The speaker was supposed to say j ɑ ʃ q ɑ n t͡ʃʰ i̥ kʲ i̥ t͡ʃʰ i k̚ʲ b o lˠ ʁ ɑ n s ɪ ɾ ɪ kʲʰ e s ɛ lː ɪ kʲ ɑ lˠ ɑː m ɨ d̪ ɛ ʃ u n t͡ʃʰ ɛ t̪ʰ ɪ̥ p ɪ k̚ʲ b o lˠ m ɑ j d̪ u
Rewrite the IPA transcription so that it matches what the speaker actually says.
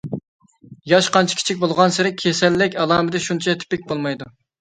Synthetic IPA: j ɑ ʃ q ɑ n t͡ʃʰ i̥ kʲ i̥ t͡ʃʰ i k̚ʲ b o lˠ ʁ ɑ n s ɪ ɾ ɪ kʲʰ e s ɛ lː ɪ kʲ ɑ lˠ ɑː m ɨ d̪ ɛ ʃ u n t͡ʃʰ ɛ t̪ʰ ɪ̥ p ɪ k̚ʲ b o lˠ m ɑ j d̪ u